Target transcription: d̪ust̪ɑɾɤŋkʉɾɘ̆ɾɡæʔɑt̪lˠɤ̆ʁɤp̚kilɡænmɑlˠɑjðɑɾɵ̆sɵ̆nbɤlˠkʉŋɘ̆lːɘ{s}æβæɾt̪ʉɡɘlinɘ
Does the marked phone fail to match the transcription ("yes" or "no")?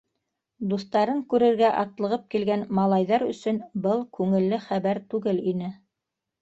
yes